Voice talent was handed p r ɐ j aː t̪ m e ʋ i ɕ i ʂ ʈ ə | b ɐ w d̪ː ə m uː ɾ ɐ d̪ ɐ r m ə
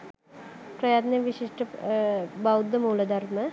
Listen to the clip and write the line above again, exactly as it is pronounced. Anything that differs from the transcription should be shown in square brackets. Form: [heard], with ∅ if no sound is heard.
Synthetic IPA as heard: p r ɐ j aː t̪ [n] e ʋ i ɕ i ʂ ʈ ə | b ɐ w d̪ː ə m uː [l] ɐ d̪ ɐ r m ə